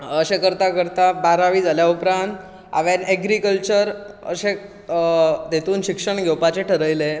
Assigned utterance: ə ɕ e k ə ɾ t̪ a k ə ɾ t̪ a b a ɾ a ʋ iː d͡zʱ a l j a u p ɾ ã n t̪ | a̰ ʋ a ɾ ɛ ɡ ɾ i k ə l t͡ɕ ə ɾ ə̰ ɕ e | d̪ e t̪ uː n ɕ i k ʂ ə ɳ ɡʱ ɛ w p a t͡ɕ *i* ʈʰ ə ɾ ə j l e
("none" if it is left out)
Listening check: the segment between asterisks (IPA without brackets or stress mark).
e